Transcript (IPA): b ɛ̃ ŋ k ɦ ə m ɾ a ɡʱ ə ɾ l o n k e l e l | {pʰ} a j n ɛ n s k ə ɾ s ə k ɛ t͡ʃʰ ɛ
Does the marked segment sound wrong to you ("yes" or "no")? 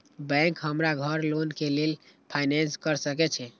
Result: no